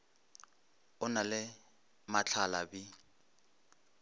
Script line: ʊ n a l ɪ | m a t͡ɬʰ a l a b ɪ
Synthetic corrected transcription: ʊ n a l ɪ | m a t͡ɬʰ a l a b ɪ